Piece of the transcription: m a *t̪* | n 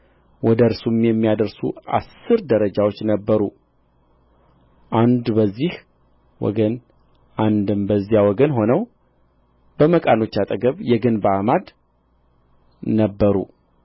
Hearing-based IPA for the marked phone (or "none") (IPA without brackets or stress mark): d̪